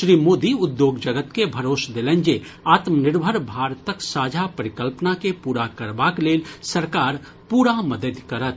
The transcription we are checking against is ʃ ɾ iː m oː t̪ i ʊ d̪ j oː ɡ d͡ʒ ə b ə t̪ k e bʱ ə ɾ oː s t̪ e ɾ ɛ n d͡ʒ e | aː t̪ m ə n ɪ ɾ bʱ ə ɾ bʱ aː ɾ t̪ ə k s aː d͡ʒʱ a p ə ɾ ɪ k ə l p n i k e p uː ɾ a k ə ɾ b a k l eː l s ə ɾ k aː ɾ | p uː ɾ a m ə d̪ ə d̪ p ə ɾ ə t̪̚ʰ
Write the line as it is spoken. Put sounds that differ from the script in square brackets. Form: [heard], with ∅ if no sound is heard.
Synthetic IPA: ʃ ɾ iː m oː [d̪] i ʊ d̪ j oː ɡ d͡ʒ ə [ɡ] ə t̪ k e bʱ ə ɾ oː s [d̪] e [l] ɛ n d͡ʒ e | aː t̪ m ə n ɪ ɾ bʱ ə ɾ bʱ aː ɾ t̪ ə k s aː d͡ʒʱ a p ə ɾ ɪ k ə l p n [a] k e p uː ɾ a k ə ɾ b a k l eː l s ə ɾ k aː ɾ | p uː ɾ a m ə d̪ ə d̪ [k] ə ɾ ə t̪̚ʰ